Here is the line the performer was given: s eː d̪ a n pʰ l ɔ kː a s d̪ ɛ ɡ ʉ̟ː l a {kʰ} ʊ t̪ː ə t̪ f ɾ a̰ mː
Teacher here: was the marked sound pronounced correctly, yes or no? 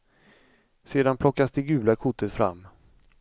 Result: yes